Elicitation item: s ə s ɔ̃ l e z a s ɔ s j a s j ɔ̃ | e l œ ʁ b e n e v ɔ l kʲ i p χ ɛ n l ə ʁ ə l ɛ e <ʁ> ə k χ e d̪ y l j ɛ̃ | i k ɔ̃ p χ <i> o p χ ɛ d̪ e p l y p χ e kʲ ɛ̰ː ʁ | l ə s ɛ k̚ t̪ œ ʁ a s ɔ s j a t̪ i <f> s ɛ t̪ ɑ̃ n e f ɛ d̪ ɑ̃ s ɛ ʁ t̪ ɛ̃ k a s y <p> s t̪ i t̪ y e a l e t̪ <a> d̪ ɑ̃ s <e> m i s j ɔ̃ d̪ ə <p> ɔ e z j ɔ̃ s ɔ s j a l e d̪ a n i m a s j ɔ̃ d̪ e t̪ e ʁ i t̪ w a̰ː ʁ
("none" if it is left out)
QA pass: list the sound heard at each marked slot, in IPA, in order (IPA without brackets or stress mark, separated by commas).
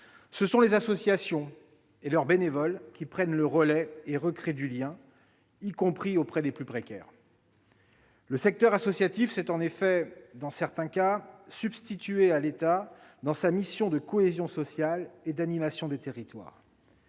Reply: ʁ, i, f, b, a, a, k